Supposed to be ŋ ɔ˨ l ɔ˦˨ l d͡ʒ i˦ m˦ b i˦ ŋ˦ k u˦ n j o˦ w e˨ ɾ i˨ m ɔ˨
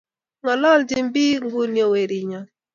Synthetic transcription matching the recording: ŋ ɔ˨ l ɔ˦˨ l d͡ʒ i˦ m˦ b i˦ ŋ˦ ɡ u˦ n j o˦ w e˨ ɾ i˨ ɲ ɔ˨